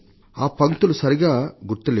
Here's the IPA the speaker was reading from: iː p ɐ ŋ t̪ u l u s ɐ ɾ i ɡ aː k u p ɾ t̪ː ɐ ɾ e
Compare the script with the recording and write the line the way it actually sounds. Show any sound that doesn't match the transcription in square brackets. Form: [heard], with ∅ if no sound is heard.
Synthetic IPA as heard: [aː] p ɐ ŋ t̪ u l u s ɐ ɾ i ɡ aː [ɡ] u [∅] ɾ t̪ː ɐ [l] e